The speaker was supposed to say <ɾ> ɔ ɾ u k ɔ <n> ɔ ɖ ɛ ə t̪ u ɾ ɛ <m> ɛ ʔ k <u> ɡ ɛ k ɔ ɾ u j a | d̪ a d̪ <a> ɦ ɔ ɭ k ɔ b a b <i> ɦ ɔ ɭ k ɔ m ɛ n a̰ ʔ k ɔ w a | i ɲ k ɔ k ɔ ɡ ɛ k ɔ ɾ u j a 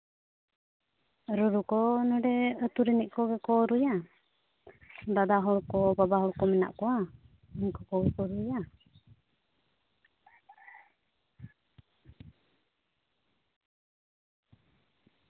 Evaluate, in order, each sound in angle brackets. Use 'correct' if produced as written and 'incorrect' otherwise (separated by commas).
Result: correct, correct, incorrect, incorrect, correct, incorrect